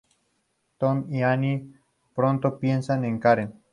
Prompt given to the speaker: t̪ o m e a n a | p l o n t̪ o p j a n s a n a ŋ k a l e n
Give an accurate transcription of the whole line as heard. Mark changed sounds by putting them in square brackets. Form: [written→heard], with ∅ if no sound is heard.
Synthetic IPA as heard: t̪ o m [e→i] a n [a→i] | p [l→ɾ] o n t̪ o p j [a→e] n s a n [a→e] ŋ k a [l→ɾ] e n

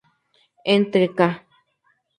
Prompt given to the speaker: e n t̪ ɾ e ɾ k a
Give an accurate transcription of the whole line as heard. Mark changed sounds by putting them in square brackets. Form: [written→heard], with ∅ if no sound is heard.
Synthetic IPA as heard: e n t̪ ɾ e [ɾ→∅] k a

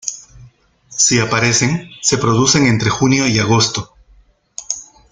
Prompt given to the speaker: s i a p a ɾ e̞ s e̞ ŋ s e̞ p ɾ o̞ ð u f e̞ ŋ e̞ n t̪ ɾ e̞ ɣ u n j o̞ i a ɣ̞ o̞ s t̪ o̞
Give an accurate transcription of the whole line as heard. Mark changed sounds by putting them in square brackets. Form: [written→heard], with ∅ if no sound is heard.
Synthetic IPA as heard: s i a p a ɾ e̞ s e̞ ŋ s e̞ p ɾ o̞ ð u [f→s] e̞ ŋ e̞ n t̪ ɾ e̞ [ɣ→x] u n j o̞ i a ɣ̞ o̞ s t̪ o̞

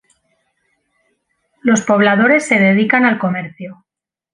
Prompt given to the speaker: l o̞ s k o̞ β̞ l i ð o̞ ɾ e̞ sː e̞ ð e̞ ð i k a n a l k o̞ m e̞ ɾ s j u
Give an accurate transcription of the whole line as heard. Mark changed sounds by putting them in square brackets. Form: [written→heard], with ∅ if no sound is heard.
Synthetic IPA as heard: l o̞ s [k→p] o̞ β̞ l [i→a] ð o̞ ɾ e̞ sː e̞ ð e̞ ð i k a n a l k o̞ m e̞ ɾ [s→θ] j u

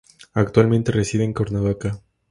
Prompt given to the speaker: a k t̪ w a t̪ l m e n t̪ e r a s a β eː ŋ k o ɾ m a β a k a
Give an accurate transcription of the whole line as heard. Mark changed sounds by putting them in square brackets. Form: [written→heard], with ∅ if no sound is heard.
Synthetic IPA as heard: a k t̪ w a [t̪→∅] l m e n t̪ e r [a→e] s [a→i] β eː ŋ k o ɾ [m→n] a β a k a

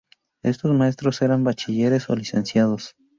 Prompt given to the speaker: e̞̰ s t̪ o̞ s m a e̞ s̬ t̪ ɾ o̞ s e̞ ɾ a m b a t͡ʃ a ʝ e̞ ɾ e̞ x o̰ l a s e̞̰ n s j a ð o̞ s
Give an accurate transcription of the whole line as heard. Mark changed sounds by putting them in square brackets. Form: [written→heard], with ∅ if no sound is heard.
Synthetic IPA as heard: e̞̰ s t̪ o̞ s m a e̞ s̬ t̪ ɾ o̞ s e̞ ɾ a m b a t͡ʃ [a→i] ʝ e̞ ɾ e̞ [x→s] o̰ l [a→i] s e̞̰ n s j a ð o̞ s

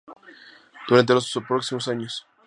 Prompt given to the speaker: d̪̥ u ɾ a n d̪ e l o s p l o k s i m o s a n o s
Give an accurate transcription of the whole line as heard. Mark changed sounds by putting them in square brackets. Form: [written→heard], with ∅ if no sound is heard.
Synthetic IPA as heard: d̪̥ u ɾ a n [d̪→t̪] e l o s p [l→ɾ] o k s i m o s a [n→ɲ] o s

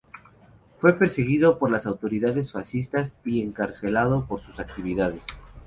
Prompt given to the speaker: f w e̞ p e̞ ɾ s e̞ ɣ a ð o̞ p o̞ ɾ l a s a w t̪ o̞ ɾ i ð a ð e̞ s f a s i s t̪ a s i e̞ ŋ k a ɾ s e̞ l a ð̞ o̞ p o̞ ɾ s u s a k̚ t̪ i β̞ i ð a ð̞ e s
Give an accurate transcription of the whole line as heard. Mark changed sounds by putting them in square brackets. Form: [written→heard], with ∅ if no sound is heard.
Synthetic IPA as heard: f w e̞ p e̞ ɾ s e̞ ɣ [a→i] ð o̞ p o̞ ɾ l a s a w t̪ o̞ ɾ i ð a ð e̞ s f a s i s t̪ a s i e̞ ŋ k a ɾ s e̞ l a ð̞ o̞ p o̞ ɾ s u s a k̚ t̪ i β̞ i ð a ð̞ e s

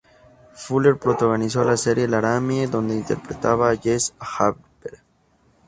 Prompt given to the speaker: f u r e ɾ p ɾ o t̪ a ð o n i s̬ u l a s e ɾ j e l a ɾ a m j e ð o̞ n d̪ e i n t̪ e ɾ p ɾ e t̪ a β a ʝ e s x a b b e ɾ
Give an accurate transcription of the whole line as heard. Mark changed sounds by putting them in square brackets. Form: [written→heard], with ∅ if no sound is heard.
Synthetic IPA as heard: f u [r→l] e ɾ p ɾ o t̪ a [ð→ɣ] o n i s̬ [u→o] l a s e ɾ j e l a ɾ a m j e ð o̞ n d̪ e i n t̪ e ɾ p ɾ e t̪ a β a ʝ e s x a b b e ɾ

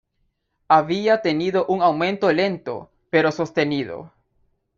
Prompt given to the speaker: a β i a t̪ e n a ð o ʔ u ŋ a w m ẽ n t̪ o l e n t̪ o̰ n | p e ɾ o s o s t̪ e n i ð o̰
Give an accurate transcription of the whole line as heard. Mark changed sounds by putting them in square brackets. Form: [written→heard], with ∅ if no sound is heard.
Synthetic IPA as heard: a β i a t̪ e n [a→i] ð o ʔ u ŋ a w m ẽ n t̪ o l e n t̪ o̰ [n→∅] | p e ɾ o s o s t̪ e n i ð o̰

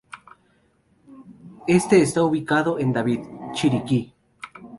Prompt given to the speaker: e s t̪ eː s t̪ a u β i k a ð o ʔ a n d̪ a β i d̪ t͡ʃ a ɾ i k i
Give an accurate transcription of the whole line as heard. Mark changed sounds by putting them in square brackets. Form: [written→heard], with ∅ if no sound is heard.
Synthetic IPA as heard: e s t̪ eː s t̪ a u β i k a ð o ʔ [a→e] n d̪ a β i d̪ t͡ʃ [a→i] ɾ i k i

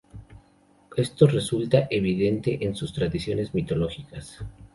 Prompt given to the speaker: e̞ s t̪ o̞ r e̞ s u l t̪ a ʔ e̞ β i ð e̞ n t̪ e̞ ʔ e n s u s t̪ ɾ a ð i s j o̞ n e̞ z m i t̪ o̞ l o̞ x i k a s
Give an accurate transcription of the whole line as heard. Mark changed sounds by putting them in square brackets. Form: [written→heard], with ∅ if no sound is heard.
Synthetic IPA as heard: e̞ s t̪ o̞ r e̞ s u l t̪ a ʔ e̞ β i ð e̞ n t̪ e̞ ʔ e n s u s t̪ ɾ a ð i s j o̞ n e̞ z m i t̪ o̞ l o̞ x i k a s

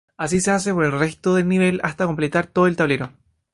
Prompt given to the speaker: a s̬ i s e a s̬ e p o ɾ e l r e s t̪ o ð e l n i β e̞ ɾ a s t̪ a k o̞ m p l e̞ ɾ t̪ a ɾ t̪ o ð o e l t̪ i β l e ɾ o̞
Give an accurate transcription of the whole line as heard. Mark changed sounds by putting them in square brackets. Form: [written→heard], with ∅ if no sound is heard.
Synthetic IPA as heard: a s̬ i s e a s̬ e p o ɾ e l r e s t̪ o ð e l n i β e̞ [ɾ→l] a s t̪ a k o̞ m p l e̞ [ɾ→∅] t̪ a ɾ t̪ o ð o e l t̪ [i→a] β l e ɾ o̞

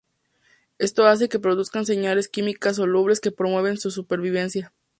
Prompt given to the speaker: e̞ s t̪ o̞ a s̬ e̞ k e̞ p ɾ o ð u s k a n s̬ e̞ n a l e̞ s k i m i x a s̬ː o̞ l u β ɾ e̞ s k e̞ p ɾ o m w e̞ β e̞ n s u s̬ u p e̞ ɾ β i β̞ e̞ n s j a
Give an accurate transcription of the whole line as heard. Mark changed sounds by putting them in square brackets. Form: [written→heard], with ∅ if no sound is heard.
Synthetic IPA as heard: e̞ s t̪ o̞ a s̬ e̞ k e̞ p ɾ o ð u s k a n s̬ e̞ [n→ɲ] a l e̞ s k i m i [x→k] a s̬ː o̞ l u β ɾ e̞ s k e̞ p ɾ o m w e̞ β e̞ n s u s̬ u p e̞ ɾ β i β̞ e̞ n s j a

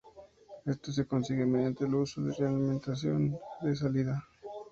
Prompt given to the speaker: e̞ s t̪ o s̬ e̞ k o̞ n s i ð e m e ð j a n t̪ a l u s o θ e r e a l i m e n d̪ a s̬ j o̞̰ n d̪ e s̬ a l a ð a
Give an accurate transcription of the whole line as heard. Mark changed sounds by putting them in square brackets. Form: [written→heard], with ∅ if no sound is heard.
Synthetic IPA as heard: e̞ s t̪ o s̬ e̞ k o̞ n s i [ð→ɣ] e m e ð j a n t̪ [a→e] l u s o [θ→ð] e r e a l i m e n [d̪→t̪] a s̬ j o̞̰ n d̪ e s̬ a l [a→i] ð a

